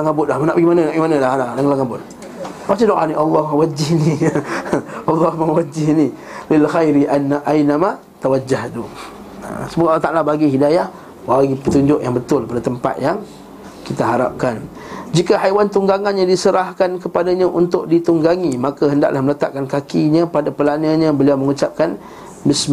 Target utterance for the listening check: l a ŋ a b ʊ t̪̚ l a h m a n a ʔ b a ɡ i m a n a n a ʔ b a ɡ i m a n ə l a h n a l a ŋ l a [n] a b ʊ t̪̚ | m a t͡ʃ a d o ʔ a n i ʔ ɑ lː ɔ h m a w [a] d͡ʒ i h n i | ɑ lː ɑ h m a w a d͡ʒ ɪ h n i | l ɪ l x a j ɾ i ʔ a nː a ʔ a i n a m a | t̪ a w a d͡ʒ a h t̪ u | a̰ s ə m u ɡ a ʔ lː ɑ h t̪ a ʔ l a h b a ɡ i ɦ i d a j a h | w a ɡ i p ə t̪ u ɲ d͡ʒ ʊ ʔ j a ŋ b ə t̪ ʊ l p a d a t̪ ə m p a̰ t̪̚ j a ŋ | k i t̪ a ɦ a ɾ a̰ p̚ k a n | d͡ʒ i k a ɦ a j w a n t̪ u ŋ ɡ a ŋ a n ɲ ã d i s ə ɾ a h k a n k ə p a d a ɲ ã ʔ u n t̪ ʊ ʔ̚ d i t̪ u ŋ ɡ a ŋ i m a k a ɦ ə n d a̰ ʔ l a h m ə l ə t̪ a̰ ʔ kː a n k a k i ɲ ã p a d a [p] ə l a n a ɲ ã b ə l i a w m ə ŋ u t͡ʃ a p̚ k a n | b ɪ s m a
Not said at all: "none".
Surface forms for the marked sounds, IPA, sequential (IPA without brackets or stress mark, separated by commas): ŋ, a, p